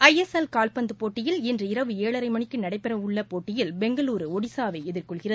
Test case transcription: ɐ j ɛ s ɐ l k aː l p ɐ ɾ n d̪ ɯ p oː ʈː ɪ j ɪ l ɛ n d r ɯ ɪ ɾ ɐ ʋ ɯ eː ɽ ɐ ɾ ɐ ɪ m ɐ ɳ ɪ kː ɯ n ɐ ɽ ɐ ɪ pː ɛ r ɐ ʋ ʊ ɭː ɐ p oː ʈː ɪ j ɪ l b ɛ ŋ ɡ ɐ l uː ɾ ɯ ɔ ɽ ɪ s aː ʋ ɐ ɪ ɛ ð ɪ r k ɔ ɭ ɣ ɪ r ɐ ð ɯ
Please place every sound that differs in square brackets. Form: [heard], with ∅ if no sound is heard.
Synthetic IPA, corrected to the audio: ɐ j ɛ s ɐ l k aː l p ɐ [∅] n d̪ ɯ p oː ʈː ɪ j ɪ l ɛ n d r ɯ ɪ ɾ ɐ ʋ ɯ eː [ɭ] ɐ ɾ ɐ ɪ m ɐ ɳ ɪ kː ɯ n ɐ ɽ ɐ ɪ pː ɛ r ɐ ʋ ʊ ɭː ɐ p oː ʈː ɪ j ɪ l b ɛ ŋ ɡ ɐ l uː ɾ ɯ ɔ ɽ ɪ s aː ʋ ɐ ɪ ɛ ð ɪ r k ɔ ɭ ɣ ɪ r ɐ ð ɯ